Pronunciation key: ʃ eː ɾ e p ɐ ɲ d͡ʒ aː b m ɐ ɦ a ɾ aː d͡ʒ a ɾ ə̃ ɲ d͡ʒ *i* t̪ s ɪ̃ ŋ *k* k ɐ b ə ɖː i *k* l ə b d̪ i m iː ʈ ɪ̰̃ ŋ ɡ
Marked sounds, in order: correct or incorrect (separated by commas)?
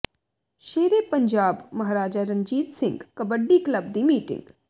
incorrect, incorrect, correct